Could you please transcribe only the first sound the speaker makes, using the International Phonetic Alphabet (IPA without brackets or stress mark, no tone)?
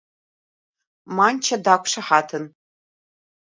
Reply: m